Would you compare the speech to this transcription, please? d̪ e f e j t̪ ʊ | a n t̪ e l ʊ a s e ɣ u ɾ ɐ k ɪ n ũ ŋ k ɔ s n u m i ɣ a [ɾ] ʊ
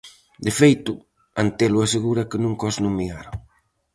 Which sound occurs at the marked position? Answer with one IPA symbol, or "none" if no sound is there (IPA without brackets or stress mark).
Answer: ɾ